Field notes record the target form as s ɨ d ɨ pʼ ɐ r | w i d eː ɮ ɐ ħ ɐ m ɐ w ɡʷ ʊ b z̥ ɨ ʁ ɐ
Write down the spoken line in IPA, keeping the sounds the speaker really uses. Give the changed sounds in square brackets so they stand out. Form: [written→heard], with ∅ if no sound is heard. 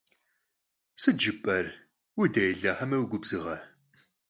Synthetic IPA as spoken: s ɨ [d→d͡ʒ] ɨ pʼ ɐ r | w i d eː ɮ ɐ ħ ɐ m ɐ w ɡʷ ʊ b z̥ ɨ ʁ ɐ